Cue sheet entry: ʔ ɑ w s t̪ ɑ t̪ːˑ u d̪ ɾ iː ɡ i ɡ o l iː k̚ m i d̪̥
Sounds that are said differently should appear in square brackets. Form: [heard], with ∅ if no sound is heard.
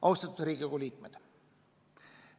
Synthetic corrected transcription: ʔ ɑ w s t̪ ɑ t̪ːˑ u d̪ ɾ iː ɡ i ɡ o l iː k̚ m [e] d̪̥